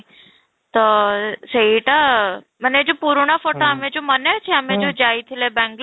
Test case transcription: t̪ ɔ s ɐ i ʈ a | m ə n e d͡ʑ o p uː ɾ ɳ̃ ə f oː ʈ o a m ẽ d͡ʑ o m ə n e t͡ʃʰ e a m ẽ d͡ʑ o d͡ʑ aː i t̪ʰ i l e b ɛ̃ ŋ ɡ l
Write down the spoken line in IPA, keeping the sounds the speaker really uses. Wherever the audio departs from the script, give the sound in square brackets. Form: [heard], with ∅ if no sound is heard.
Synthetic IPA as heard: t̪ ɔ s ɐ i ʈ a | m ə n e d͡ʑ o p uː ɾ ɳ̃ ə f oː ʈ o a m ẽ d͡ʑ o m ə n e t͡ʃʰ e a m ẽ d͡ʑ o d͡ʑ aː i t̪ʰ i l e b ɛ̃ ŋ ɡ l